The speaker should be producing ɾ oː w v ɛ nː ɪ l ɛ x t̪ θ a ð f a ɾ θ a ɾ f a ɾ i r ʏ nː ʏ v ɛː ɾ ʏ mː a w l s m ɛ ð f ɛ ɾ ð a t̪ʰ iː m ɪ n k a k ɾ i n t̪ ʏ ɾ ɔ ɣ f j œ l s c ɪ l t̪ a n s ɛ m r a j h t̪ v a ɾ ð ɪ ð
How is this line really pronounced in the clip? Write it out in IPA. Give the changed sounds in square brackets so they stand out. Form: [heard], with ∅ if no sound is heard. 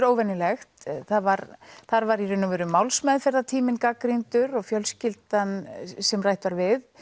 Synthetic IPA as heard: ɾ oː w v ɛ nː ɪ l ɛ x t̪ θ a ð [v] a ɾ θ a ɾ [v] a ɾ i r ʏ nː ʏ v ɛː ɾ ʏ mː a w l s m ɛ ð f ɛ ɾ ð a t̪ʰ iː m ɪ n k a k ɾ i n t̪ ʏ ɾ ɔ ɣ f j œ l s c ɪ l t̪ a n s ɛ m r a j h t̪ v a ɾ [v] ɪ ð